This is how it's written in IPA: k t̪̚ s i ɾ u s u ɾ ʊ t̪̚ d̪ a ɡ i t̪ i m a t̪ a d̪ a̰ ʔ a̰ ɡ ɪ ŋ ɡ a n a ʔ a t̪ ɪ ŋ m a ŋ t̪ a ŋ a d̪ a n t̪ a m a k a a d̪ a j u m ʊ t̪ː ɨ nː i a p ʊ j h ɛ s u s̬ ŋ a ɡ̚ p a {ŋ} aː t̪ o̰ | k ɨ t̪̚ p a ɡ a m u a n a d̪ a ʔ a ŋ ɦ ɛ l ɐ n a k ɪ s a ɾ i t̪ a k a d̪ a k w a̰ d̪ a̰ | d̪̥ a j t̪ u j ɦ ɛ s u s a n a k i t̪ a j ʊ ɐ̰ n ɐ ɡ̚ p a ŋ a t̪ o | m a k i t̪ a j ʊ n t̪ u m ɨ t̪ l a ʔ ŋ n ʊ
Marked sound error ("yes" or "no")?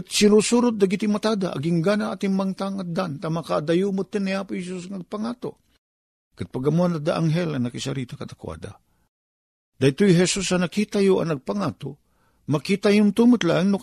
no